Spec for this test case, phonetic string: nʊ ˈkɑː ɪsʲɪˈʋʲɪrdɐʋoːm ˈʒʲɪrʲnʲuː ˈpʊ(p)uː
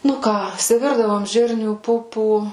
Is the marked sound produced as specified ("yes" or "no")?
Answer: yes